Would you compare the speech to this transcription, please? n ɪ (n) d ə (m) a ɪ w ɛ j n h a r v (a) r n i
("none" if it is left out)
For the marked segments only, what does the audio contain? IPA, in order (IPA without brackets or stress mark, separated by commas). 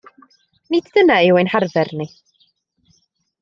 d, n, ɛ